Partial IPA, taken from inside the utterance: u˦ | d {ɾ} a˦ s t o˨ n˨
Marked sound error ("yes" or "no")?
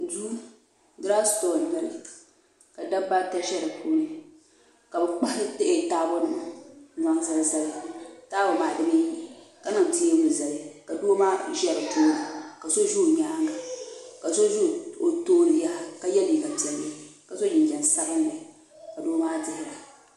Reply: no